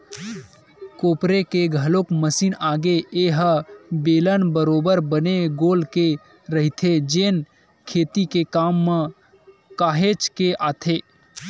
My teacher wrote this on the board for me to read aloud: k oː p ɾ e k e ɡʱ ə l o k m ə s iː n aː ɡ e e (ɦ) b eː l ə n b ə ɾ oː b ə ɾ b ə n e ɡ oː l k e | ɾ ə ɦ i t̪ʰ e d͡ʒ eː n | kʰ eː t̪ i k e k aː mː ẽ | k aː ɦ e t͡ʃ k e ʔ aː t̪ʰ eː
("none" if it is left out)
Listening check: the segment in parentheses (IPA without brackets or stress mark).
ɦ